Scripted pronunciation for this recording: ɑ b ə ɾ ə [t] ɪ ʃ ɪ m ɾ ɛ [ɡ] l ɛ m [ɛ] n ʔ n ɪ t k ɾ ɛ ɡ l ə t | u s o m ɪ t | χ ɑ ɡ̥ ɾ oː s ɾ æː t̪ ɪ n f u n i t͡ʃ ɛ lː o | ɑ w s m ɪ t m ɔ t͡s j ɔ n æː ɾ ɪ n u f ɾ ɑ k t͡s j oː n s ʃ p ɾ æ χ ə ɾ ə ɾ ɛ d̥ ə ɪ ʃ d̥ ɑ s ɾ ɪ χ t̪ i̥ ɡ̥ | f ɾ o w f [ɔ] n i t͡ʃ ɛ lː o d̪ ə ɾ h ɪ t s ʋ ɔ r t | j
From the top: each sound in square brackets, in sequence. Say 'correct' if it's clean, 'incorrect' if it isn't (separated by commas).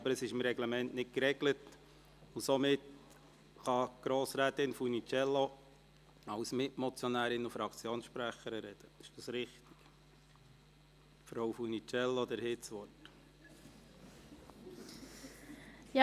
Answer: incorrect, correct, correct, incorrect